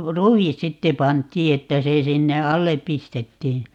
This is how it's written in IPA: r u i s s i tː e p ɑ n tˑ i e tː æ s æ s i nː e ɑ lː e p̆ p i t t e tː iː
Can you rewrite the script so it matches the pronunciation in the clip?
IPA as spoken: r u i s s i tː e p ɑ n tˑ iː e tː æ s e s i nː e ɑ lː e p̆ p i s t e tː iː